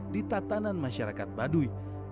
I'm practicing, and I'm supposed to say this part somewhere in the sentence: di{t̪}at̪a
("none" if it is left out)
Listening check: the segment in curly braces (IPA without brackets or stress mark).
t̪